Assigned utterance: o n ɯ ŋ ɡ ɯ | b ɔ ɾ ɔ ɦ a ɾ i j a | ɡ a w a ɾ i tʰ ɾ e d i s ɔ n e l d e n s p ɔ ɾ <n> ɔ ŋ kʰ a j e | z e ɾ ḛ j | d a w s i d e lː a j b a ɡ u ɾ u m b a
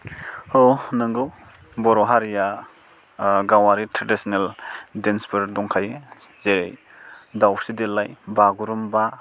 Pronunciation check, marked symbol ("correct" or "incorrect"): incorrect